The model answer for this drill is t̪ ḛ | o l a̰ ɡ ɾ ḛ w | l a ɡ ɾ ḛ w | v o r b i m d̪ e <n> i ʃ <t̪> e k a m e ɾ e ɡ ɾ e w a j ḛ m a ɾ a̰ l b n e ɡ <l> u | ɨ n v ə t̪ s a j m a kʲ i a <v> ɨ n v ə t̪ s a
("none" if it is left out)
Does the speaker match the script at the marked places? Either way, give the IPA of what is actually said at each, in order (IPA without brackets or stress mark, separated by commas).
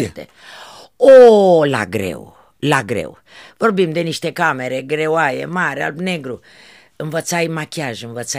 n, t̪, ɾ, ʒ